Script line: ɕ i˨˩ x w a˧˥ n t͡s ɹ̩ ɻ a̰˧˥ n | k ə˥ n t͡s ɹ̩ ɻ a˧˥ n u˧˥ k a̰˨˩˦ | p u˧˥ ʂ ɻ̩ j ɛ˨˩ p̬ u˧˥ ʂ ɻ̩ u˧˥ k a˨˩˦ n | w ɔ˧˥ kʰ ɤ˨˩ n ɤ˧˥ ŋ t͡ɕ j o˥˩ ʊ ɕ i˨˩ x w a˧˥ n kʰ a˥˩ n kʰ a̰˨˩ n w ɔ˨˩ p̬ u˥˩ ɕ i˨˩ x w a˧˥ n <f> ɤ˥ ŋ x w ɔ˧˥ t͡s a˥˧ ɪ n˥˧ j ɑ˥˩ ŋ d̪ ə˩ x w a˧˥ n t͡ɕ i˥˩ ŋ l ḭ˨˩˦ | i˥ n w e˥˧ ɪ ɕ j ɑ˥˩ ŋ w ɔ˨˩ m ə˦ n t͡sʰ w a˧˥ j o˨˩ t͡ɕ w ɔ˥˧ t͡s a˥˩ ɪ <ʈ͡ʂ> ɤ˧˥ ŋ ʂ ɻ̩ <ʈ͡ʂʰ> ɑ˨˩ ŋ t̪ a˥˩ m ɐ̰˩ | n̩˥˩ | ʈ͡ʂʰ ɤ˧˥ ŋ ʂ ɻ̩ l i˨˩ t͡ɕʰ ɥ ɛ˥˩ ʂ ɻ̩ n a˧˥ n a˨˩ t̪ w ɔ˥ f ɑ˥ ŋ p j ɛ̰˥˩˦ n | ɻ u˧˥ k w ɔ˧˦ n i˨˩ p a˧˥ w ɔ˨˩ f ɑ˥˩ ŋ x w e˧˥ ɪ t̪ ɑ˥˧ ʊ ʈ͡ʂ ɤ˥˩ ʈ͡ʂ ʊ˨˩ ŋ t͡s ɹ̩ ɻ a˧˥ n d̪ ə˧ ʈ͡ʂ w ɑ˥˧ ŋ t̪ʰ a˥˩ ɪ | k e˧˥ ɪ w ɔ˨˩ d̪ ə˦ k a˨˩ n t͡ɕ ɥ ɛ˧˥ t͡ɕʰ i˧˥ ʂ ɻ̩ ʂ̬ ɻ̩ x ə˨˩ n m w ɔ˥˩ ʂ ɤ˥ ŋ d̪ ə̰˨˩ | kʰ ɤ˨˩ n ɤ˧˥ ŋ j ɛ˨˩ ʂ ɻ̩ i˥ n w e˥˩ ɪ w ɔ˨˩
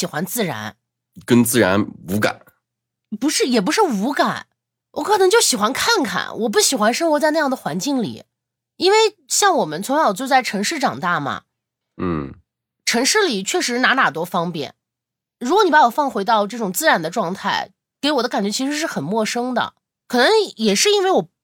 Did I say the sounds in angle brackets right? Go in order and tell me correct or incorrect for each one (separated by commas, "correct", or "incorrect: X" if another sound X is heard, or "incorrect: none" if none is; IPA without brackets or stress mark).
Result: incorrect: ʂ, incorrect: ʈ͡ʂʰ, incorrect: ʈ͡ʂ